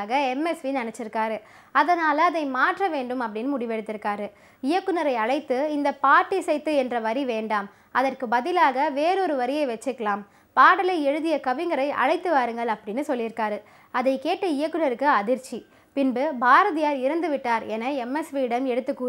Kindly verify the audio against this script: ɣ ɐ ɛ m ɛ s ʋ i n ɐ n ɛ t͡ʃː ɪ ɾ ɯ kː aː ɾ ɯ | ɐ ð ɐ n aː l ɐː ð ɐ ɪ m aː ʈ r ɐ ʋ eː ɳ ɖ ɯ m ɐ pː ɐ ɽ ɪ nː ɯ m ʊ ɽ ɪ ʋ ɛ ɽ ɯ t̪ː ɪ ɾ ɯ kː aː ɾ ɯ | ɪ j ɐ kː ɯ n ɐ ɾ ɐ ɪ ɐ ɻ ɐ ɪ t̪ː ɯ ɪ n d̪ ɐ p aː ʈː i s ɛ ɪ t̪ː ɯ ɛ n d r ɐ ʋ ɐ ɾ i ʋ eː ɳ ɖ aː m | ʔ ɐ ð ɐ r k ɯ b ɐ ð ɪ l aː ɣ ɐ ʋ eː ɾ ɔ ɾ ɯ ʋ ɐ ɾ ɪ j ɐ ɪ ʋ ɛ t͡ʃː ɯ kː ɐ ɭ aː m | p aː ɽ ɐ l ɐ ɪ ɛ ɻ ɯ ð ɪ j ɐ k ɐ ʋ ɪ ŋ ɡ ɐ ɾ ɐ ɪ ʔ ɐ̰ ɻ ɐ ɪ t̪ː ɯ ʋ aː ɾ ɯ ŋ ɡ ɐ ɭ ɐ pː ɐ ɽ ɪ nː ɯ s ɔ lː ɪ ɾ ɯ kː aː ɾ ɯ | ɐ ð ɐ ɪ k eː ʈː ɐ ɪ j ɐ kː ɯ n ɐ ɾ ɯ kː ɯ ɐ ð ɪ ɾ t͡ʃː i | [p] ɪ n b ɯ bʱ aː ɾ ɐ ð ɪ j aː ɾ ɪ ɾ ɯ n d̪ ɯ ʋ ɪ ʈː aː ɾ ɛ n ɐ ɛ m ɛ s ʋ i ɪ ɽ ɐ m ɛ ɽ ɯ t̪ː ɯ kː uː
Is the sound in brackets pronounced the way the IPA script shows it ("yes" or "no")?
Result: yes